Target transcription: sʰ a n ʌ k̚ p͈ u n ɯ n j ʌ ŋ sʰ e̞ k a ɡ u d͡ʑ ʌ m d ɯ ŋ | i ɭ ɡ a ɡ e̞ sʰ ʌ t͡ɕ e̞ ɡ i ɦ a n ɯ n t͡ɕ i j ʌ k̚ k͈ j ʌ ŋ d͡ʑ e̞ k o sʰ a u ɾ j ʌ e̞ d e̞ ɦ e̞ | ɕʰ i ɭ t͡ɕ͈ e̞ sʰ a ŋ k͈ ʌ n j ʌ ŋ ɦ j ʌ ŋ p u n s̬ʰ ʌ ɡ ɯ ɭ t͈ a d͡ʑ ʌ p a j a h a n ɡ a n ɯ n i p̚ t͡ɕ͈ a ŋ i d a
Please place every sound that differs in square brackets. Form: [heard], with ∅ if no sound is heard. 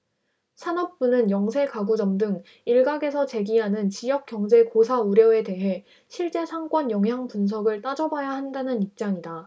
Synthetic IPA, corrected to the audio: sʰ a n ʌ [p̚] p͈ u n ɯ n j ʌ ŋ sʰ e̞ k a ɡ u d͡ʑ ʌ m d ɯ ŋ | i ɭ ɡ a ɡ e̞ sʰ ʌ t͡ɕ e̞ ɡ i ɦ a n ɯ n t͡ɕ i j ʌ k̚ k͈ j ʌ ŋ d͡ʑ e̞ k o sʰ a u ɾ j ʌ e̞ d e̞ ɦ e̞ | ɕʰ i ɭ t͡ɕ͈ e̞ sʰ a ŋ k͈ ʌ n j ʌ ŋ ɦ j [a] ŋ p u n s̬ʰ ʌ ɡ ɯ ɭ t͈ a d͡ʑ ʌ [b] a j a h a n [d] a n ɯ n i p̚ t͡ɕ͈ a ŋ i d a

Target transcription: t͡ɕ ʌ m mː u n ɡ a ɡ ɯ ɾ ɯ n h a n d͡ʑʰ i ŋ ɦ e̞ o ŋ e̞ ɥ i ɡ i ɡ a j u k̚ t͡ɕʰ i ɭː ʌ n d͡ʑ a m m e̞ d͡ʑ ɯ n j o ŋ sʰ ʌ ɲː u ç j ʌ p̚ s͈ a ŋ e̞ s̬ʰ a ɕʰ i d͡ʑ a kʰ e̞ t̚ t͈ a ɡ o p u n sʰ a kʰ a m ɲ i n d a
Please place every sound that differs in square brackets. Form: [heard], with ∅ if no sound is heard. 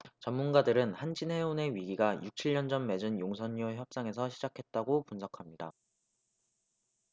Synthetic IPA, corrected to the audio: t͡ɕ ʌ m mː u n ɡ a [d] ɯ ɾ ɯ n h a n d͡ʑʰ i [n] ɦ e̞ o [n] e̞ ɥ i ɡ i ɡ a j u k̚ t͡ɕʰ i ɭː ʌ n d͡ʑ [ʌ] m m e̞ d͡ʑ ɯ n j o ŋ sʰ ʌ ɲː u ç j ʌ p̚ s͈ a ŋ e̞ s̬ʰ [ʌ] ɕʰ i d͡ʑ a kʰ e̞ t̚ t͈ a ɡ o p u n sʰ [ʌ] kʰ a m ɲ i [∅] d a

